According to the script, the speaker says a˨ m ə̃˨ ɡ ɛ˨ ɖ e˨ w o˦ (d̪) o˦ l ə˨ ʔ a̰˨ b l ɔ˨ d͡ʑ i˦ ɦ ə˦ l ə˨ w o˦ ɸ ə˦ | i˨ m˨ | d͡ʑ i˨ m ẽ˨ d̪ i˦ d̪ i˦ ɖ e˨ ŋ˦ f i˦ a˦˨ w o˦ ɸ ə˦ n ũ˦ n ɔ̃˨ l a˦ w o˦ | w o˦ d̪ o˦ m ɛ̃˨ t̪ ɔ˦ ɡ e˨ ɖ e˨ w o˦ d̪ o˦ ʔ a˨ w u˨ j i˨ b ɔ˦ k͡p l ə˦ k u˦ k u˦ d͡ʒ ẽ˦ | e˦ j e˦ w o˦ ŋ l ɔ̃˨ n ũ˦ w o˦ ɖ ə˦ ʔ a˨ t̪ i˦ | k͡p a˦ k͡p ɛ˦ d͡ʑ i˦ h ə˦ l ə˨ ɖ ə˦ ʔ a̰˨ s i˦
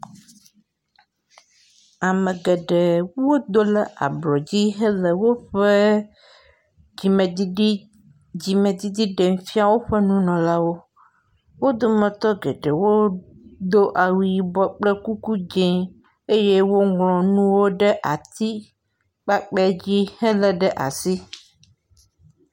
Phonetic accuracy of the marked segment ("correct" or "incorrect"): correct